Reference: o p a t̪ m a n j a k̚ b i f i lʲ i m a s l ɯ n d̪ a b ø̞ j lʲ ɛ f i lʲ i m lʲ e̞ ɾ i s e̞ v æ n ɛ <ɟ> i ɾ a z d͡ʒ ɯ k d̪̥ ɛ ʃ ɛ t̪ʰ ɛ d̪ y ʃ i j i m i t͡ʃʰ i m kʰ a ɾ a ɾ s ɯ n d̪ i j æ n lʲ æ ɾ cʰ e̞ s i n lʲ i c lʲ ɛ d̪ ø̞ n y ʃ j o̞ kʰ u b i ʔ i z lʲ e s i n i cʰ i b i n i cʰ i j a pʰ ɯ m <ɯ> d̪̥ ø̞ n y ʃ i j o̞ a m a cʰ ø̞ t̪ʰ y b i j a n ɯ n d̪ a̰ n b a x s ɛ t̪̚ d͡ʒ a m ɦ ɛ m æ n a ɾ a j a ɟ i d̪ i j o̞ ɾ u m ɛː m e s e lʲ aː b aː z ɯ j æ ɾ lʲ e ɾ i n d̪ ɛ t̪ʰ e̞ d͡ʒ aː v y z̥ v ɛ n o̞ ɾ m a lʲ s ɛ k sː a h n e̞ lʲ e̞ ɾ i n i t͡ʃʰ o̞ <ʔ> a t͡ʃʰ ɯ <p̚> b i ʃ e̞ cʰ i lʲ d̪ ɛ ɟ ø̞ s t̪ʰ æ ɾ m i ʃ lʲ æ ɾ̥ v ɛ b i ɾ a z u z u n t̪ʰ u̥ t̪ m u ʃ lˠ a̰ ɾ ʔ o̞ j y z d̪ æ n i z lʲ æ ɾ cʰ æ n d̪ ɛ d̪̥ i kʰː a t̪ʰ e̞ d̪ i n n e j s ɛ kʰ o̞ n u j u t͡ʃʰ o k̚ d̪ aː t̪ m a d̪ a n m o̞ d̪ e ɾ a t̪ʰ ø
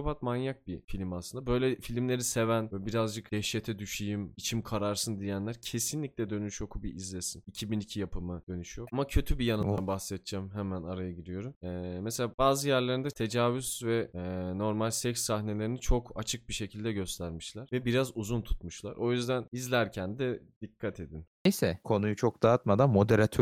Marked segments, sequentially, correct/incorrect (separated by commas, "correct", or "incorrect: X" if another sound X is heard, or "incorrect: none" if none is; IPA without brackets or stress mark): incorrect: b, correct, incorrect: k, incorrect: k̚